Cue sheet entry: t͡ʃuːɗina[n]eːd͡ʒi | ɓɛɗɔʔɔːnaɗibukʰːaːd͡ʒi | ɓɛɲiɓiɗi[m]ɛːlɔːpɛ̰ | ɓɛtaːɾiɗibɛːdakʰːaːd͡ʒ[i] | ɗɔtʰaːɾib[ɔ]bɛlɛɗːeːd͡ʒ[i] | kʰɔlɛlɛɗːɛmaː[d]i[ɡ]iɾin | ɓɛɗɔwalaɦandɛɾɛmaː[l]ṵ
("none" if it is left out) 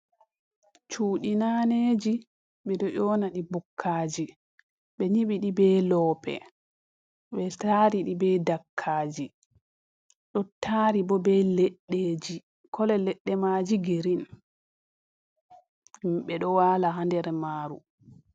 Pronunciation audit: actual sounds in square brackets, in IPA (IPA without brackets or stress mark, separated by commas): n, b, i, ɔ, i, d͡ʒ, ɡ, ɾ